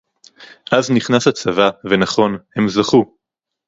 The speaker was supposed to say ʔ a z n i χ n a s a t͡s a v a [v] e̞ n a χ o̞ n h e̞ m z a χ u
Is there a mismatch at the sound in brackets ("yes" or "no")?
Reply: no